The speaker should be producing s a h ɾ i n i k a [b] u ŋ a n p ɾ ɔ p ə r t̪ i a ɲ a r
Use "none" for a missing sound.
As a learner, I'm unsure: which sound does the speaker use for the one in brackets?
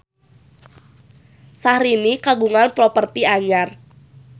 ɡ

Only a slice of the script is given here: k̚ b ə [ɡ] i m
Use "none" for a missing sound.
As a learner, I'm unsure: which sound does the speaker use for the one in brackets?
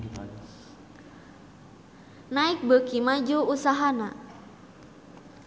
k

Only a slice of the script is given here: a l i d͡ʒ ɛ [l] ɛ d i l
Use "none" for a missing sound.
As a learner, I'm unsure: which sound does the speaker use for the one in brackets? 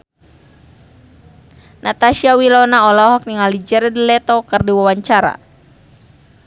ɾ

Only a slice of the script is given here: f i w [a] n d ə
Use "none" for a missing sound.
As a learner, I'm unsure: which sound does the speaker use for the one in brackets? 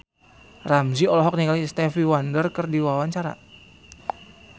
a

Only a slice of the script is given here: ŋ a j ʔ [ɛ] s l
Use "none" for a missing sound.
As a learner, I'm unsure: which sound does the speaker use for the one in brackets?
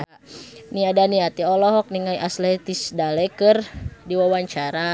a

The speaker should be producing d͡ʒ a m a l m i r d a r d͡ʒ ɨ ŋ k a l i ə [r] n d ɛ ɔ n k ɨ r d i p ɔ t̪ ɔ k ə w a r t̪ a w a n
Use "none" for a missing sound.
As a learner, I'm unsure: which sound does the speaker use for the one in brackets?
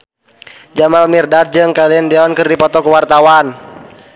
none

